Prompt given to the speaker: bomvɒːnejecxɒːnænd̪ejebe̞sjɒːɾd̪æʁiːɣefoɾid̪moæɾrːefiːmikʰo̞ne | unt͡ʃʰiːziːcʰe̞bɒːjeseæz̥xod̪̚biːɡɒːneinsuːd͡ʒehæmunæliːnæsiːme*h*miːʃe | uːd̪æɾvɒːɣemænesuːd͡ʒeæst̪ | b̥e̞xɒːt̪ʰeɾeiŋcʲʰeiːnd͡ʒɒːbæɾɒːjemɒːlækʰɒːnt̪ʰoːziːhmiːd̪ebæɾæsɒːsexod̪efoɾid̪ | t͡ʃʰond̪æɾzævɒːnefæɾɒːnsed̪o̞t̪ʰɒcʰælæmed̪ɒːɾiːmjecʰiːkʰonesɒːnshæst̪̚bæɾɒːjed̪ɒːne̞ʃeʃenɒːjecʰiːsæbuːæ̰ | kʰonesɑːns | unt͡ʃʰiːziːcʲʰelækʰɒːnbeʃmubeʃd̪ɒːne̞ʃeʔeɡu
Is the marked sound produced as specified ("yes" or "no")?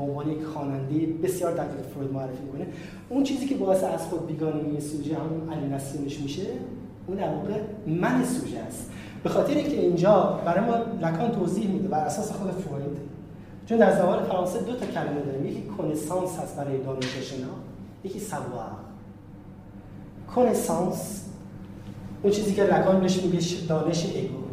no